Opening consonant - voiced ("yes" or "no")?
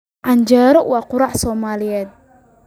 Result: yes